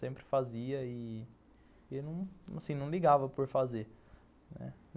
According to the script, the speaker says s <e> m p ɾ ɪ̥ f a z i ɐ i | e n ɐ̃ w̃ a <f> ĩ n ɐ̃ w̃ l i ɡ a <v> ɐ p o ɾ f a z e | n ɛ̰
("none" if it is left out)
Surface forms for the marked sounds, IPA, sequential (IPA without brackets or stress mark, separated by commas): ẽ, s, v